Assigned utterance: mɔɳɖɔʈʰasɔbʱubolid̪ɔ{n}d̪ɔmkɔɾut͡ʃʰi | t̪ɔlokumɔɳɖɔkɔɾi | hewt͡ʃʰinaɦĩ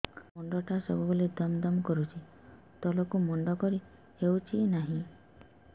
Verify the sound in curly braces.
incorrect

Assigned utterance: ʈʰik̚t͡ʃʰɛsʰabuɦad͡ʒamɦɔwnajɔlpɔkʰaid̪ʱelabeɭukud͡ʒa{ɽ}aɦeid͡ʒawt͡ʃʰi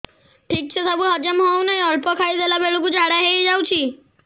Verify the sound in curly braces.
correct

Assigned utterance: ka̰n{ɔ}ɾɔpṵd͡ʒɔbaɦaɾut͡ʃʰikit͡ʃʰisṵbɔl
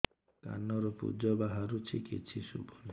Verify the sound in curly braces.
correct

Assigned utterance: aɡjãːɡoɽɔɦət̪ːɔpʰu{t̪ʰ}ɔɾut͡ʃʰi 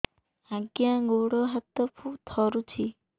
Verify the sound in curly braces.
correct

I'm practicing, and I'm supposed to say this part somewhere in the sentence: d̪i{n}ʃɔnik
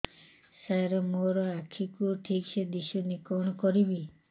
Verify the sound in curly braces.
incorrect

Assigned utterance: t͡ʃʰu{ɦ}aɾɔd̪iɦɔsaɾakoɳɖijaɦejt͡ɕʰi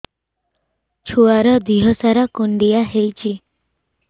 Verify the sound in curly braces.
incorrect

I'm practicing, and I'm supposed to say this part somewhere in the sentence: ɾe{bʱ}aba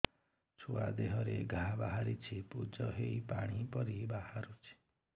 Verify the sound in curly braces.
incorrect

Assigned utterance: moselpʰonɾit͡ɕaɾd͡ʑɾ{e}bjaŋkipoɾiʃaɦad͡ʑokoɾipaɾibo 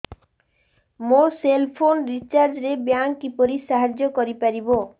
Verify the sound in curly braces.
correct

